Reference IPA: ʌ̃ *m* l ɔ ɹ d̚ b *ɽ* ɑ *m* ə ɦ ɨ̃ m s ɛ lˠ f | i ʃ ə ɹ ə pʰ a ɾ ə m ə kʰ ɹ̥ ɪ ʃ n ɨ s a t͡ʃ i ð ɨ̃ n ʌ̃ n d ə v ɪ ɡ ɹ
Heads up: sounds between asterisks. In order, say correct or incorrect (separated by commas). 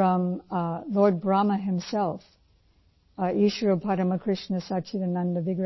correct, incorrect, correct